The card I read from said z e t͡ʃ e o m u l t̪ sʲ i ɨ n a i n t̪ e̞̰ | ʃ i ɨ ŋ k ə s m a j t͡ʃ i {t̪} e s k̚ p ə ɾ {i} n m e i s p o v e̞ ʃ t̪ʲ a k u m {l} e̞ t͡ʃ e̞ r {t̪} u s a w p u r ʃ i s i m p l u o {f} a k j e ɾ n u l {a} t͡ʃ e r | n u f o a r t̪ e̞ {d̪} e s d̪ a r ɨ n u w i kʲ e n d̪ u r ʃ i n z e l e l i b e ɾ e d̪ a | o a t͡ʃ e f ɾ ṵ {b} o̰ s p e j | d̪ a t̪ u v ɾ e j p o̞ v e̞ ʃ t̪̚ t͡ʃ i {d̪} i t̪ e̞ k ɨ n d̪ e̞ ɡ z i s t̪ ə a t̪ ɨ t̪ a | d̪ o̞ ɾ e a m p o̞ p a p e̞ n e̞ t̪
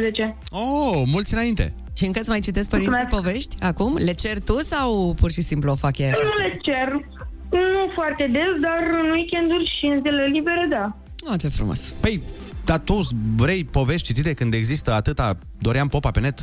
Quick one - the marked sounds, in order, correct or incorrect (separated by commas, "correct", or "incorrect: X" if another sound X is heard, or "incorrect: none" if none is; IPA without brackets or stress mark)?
correct, correct, correct, correct, correct, incorrect: e, correct, incorrect: m, incorrect: t̪